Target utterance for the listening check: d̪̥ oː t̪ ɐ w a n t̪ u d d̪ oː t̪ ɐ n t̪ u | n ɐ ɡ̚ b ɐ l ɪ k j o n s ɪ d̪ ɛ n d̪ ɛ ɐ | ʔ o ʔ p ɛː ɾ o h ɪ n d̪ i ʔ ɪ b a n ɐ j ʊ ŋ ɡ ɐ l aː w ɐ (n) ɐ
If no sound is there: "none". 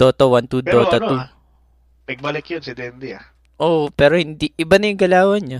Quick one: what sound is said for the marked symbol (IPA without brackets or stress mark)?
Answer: ɲ